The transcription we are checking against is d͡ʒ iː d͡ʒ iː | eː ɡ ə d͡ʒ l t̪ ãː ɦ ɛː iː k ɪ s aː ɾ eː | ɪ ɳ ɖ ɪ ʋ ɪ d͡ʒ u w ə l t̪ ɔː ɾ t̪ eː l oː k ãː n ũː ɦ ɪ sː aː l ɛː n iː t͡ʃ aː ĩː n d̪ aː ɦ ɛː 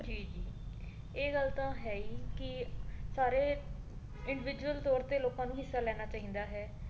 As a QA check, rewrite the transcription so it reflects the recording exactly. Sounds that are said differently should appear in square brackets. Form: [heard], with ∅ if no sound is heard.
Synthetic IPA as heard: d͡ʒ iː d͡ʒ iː | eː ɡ ə [∅] l t̪ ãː ɦ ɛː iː k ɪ s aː ɾ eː | ɪ ɳ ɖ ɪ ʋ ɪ d͡ʒ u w ə l t̪ ɔː ɾ t̪ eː l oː k ãː n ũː ɦ ɪ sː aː l ɛː n [aː] t͡ʃ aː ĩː n d̪ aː ɦ ɛː